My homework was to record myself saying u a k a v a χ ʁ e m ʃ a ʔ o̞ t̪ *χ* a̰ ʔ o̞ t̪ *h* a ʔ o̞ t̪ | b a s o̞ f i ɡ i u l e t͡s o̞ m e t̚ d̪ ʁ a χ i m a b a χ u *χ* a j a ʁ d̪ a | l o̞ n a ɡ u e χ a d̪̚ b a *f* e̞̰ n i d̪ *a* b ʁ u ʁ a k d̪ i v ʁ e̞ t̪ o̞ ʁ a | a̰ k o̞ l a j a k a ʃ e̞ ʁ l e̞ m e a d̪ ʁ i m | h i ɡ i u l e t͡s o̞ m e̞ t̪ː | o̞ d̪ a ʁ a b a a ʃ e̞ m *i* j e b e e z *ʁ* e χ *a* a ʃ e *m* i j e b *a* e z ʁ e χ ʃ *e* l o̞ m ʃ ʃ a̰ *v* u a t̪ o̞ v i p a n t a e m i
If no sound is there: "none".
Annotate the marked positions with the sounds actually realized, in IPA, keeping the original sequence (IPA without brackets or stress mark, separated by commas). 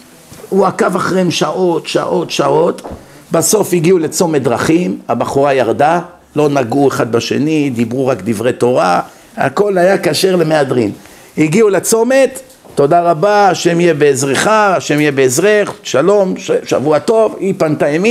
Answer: ʃ, ʃ, ʁ, ʃ, i, i, ʁ, a, m, e, a, v